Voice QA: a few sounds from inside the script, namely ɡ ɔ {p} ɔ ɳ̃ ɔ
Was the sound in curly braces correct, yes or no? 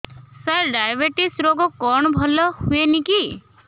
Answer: no